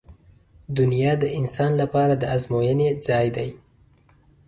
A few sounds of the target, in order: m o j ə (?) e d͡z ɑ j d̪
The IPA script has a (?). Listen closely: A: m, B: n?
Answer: B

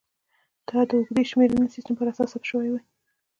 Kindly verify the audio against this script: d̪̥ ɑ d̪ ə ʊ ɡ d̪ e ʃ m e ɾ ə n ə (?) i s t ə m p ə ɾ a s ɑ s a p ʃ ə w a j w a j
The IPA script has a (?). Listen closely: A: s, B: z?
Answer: A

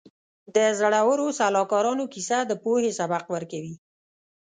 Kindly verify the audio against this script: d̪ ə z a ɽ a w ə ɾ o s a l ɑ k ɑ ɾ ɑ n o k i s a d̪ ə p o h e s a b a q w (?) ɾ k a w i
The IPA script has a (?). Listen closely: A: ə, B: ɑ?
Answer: A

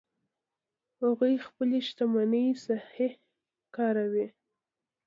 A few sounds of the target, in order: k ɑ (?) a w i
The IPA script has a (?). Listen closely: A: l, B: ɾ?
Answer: B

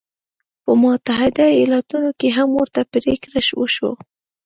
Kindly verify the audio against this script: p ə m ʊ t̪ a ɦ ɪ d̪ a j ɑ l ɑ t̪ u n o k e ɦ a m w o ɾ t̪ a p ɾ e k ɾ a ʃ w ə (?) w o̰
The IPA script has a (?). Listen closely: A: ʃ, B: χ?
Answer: A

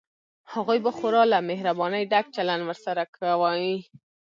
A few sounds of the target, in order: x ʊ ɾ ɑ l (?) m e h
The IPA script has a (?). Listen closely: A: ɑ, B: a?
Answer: B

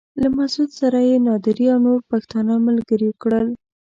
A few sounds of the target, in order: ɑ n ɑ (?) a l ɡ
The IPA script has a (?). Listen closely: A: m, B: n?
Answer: A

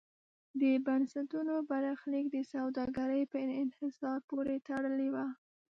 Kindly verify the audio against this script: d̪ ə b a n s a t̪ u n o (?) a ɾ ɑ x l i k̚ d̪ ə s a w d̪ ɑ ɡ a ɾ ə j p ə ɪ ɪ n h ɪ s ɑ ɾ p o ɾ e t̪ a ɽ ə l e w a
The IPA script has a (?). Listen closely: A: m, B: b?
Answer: B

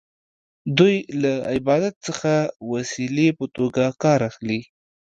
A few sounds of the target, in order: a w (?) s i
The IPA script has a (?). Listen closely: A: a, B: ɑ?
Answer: A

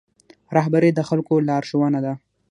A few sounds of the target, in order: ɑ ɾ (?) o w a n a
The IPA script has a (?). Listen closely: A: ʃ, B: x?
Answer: A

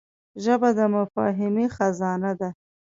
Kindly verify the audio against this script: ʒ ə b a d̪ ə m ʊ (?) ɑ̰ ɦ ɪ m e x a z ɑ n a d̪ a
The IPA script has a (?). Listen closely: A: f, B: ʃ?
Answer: A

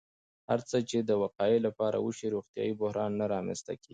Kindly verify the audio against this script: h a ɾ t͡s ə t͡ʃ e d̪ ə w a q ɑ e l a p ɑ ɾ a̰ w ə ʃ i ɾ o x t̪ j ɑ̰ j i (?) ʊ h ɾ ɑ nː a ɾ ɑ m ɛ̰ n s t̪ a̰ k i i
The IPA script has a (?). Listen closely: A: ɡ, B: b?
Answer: B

